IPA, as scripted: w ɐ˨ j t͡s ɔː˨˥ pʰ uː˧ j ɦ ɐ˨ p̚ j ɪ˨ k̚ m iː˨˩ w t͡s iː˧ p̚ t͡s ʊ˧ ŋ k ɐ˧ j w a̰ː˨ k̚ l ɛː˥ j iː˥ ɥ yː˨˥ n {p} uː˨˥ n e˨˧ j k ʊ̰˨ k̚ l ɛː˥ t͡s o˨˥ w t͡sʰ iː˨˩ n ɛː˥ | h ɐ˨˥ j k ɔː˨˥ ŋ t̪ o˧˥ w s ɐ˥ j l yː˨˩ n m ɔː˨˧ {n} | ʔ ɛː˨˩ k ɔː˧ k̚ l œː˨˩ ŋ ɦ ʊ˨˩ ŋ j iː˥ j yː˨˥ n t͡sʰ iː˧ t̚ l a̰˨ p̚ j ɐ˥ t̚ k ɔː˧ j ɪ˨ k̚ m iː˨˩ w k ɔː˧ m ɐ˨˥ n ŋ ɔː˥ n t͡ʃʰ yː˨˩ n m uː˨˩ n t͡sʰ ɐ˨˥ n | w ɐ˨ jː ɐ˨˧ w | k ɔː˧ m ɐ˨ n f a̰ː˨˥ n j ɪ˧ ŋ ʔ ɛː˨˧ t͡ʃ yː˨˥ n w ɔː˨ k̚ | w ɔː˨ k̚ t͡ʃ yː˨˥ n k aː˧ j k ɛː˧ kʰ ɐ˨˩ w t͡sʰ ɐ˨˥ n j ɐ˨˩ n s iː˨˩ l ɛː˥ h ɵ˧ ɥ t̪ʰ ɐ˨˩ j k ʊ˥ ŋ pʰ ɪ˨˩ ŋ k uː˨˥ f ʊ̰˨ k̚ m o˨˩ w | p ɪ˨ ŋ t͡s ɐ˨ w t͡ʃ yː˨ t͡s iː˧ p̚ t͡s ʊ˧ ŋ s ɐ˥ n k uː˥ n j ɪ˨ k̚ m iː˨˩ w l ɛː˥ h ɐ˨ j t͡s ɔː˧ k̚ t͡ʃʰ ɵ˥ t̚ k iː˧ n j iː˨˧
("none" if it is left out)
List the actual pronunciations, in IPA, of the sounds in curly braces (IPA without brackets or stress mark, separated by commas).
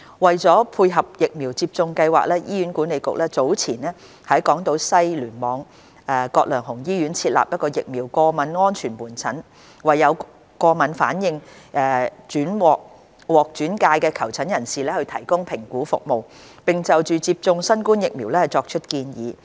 k, ŋ